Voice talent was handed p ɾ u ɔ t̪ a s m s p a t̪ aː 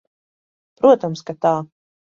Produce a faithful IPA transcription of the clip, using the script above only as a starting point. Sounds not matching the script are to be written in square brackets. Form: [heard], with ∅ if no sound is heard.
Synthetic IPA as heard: p ɾ u ɔ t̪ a [∅] m s [k] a t̪ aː